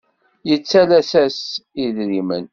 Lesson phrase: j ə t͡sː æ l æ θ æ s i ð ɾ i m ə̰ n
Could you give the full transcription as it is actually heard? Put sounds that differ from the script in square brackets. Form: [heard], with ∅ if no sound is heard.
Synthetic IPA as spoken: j ə t͡sː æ l æ [s] æ s i ð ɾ i m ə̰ n